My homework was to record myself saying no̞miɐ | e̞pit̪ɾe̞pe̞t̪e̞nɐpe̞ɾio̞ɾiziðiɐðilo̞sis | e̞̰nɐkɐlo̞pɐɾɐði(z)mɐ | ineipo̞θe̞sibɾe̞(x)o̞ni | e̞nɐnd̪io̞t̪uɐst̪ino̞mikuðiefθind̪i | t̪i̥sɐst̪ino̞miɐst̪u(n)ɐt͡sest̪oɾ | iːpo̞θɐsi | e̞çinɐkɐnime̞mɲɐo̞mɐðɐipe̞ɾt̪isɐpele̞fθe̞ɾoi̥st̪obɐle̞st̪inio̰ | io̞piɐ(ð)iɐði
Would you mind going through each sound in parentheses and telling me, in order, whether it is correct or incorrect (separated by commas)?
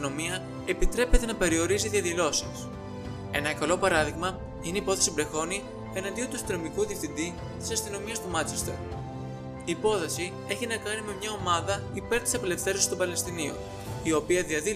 incorrect, correct, incorrect, correct